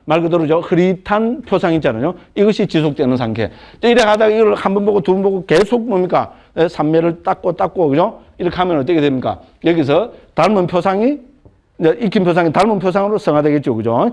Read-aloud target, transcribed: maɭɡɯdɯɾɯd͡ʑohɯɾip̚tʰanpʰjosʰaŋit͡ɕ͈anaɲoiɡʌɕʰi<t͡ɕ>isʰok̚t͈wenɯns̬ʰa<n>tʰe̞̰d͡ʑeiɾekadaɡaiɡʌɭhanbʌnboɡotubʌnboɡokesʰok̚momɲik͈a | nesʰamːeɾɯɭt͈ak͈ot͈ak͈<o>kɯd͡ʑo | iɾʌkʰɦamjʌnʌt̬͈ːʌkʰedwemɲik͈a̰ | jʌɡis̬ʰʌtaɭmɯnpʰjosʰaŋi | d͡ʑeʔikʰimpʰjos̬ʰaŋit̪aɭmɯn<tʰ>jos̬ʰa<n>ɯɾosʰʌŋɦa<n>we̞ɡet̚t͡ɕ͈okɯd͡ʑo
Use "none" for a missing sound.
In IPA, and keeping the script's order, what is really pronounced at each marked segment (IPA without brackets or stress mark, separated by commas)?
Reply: t͡ɕ, ŋ, o, pʰ, ŋ, d